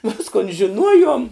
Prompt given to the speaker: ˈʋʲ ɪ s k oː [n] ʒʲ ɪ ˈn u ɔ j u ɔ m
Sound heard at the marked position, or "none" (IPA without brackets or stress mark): n